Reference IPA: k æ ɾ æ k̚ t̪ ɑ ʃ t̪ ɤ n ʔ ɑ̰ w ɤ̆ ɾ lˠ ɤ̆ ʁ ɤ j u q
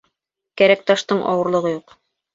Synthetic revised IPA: k æ ɾ æ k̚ t̪ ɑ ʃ t̪ ɤ ɴ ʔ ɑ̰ w ɤ̆ ɾ lˠ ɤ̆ ʁ ɤ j u q